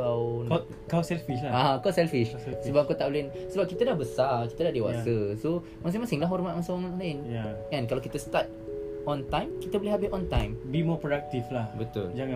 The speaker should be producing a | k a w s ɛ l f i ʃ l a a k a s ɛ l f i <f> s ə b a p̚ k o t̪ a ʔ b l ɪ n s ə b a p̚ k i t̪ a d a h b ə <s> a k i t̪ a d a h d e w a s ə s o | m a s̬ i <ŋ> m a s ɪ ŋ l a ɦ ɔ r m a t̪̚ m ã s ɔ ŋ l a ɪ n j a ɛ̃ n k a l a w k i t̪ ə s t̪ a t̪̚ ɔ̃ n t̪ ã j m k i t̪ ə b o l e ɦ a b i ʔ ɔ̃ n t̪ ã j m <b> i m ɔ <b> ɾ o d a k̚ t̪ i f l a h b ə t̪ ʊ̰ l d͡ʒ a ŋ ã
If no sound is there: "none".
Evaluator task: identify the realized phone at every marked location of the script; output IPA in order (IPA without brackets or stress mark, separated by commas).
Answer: ʃ, s, ŋ, b, p